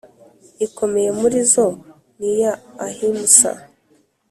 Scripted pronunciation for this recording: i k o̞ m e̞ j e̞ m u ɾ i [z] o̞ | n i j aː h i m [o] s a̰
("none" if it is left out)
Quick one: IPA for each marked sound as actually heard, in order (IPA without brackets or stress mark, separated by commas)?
z, u